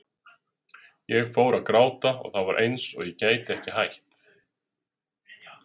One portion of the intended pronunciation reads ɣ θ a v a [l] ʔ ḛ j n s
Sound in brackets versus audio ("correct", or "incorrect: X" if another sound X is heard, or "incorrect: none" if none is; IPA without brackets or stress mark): incorrect: ɾ